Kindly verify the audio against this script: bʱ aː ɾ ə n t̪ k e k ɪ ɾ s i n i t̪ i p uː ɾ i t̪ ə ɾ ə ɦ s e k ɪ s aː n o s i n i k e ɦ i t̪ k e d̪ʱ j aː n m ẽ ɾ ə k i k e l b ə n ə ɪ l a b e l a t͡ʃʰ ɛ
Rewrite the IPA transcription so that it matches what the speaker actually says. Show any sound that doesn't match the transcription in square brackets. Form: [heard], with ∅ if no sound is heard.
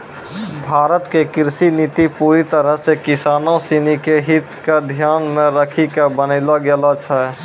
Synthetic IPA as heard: bʱ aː ɾ ə [∅] t̪ k e k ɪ ɾ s i n i t̪ i p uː ɾ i t̪ ə ɾ ə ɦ s e k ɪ s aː n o s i n i k e ɦ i t̪ k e d̪ʱ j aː n m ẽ ɾ ə [kʰ] i k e [∅] b ə n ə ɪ l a [ɡ] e l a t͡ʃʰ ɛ